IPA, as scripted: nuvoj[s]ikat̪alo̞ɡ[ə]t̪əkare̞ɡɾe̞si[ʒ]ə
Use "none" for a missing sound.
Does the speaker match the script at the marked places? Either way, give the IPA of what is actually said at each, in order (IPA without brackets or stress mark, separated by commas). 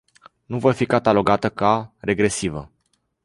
f, a, v